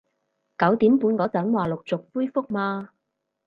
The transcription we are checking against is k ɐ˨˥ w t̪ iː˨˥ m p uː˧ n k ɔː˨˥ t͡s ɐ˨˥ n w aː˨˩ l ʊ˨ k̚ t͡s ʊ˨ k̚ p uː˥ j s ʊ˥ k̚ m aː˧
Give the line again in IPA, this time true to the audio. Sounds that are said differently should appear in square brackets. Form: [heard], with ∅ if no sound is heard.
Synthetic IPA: k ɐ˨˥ w t̪ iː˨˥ m p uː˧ n k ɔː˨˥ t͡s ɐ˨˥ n w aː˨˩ l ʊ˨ k̚ t͡s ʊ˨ k̚ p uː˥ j [f] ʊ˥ k̚ m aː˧